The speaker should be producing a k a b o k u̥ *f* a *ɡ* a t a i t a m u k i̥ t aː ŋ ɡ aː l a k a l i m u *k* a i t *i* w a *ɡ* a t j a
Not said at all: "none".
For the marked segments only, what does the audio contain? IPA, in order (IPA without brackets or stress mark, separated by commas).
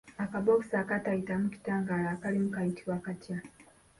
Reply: s, k, k, i, k